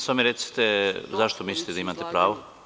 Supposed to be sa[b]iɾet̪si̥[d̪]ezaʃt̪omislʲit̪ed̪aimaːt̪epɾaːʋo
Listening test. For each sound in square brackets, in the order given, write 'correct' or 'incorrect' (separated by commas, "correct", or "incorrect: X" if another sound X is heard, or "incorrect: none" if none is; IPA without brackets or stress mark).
incorrect: m, incorrect: t̪